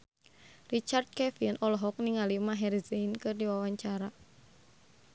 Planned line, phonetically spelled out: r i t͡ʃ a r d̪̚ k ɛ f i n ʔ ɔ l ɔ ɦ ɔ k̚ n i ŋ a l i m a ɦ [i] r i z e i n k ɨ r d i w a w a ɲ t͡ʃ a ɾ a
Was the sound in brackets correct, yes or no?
no